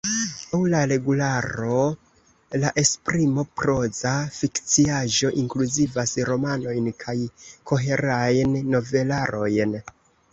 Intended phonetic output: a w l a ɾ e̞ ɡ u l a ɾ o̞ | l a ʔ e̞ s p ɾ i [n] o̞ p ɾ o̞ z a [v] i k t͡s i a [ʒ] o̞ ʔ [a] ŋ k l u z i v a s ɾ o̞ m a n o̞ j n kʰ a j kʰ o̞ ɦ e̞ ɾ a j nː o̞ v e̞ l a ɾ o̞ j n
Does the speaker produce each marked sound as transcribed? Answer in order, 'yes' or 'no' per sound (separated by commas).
no, no, yes, no